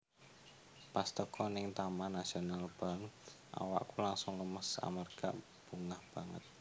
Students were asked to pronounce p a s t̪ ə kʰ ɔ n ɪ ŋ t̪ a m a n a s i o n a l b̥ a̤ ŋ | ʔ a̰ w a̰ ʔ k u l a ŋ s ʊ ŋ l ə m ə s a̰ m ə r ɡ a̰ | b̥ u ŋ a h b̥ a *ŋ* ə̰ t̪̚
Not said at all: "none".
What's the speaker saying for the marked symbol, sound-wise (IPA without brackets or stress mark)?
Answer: ŋ